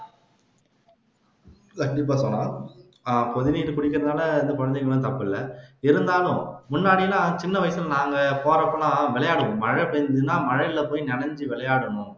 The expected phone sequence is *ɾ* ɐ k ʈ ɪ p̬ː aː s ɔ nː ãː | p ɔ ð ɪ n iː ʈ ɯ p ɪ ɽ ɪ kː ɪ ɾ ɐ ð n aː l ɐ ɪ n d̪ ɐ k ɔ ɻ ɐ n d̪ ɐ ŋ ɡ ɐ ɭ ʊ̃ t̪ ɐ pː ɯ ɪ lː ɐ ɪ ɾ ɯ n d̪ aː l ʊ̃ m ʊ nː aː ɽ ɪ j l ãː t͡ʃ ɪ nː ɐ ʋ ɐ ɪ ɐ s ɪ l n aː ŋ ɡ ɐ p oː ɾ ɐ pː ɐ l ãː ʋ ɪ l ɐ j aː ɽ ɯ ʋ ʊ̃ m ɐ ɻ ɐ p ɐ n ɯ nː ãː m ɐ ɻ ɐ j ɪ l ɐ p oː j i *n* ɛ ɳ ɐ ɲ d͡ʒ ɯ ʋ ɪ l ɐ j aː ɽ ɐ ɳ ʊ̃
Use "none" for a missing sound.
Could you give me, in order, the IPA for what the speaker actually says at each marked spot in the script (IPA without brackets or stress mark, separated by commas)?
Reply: l, n